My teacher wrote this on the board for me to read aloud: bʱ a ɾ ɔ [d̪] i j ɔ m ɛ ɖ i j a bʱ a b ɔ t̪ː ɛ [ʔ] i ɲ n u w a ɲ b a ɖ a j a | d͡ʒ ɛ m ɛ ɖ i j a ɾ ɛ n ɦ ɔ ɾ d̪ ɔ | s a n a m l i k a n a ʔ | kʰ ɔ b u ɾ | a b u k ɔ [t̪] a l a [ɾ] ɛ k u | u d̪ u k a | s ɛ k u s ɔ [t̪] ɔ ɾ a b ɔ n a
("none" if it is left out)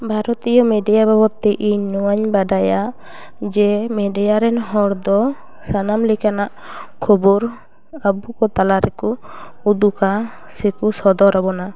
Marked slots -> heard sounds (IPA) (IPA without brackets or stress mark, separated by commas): t̪, ʔ, t̪, ɾ, d̪